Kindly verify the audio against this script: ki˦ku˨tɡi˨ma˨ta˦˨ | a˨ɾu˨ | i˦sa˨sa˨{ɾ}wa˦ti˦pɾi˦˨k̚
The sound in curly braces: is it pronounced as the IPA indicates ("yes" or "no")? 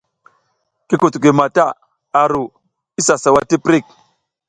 no